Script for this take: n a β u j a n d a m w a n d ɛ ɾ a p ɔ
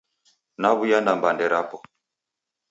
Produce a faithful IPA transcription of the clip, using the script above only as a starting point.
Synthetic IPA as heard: n a β u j a n d a m b a n d ɛ ɾ a p ɔ